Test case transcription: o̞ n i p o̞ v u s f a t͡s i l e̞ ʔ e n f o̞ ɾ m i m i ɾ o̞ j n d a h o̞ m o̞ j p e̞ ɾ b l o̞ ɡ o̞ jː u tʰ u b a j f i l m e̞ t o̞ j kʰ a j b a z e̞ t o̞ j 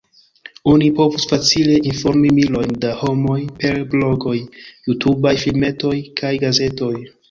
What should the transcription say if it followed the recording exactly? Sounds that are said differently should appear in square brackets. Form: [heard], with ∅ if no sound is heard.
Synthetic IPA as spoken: o̞ n i p o̞ v u s f a t͡s i l e̞ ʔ [i] n f o̞ ɾ m i m i [l] o̞ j n d a h o̞ m o̞ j p e̞ ɾ b l o̞ ɡ o̞ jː u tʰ u b a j f i l m e̞ t o̞ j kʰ a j [ɡ] a z e̞ t o̞ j